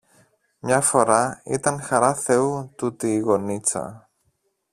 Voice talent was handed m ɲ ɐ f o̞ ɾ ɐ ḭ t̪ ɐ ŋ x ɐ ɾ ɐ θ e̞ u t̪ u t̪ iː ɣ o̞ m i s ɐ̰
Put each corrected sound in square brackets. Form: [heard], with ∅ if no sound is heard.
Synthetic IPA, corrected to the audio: m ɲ ɐ f o̞ ɾ ɐ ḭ t̪ ɐ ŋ x ɐ ɾ ɐ θ e̞ u t̪ u t̪ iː ɣ o̞ [n] i [t͡s] ɐ̰